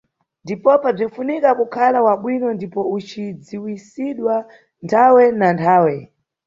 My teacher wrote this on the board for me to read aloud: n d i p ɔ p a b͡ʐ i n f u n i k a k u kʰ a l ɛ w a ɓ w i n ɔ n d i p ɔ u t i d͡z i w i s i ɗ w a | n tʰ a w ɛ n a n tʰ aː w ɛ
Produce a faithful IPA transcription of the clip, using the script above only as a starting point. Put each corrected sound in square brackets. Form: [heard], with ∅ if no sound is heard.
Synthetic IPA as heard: n d i p ɔ p a b͡ʐ i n f u n i k a k u kʰ a l [a] w a ɓ w i n ɔ n d i p ɔ u [t͡ʃ] i d͡z i w i s i ɗ w a | n tʰ a w ɛ n a n tʰ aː w ɛ